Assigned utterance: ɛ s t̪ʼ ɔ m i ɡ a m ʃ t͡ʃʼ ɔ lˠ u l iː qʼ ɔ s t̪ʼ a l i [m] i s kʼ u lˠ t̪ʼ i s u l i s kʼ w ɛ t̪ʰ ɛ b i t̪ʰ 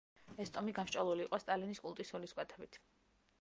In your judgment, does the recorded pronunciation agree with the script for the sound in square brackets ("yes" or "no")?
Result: no